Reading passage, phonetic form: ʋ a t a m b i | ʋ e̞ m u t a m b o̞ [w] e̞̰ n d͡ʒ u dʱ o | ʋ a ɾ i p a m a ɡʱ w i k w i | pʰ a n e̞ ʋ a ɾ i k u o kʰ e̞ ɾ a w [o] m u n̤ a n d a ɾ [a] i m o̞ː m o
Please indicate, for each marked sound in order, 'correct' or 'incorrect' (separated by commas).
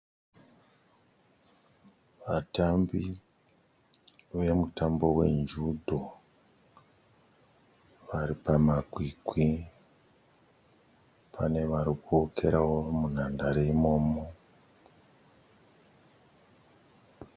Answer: correct, correct, incorrect